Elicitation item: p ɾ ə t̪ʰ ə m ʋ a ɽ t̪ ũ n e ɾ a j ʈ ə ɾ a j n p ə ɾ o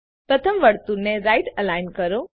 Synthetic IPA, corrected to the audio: p ɾ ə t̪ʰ ə m ʋ ə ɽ t̪ u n e ɾ a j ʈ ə l a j n k ə ɾ o